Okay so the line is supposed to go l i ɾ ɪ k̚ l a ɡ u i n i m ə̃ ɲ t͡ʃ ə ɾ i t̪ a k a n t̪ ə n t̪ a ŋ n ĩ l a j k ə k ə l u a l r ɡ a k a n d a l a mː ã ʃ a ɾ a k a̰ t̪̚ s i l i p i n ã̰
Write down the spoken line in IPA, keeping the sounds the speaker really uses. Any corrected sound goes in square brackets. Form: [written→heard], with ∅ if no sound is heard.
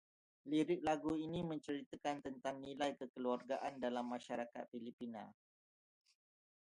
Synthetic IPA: l i ɾ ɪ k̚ l a ɡ u i n i m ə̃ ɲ t͡ʃ ə ɾ i t̪ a k a n t̪ ə n t̪ a ŋ n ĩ l a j k ə k ə l u a [l→∅] r ɡ a [k→ʔ] a n d a l a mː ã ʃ a ɾ a k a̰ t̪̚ [s→f] i l i p i n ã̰